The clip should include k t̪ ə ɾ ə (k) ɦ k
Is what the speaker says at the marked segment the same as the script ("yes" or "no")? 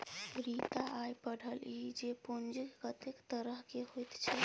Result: no